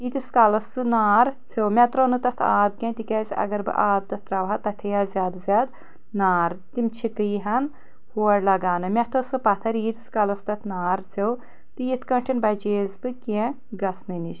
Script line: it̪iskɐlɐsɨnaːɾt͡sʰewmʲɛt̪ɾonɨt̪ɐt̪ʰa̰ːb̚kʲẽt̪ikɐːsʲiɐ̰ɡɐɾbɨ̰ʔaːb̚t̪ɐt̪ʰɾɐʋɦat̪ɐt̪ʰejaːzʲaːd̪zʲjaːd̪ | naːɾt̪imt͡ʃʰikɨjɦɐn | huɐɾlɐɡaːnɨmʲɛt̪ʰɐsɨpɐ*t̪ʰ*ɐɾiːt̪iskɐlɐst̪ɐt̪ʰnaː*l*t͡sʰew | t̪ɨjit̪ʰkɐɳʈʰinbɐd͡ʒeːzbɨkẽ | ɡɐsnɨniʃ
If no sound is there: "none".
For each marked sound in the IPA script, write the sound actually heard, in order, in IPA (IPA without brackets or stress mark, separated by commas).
t̪ʰ, ɾ